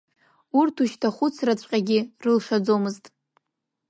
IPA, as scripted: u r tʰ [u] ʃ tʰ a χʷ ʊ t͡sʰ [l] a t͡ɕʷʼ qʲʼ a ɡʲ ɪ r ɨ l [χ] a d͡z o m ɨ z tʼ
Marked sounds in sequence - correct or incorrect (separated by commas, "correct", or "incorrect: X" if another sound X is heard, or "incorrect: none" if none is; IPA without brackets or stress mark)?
correct, incorrect: r, incorrect: ʂ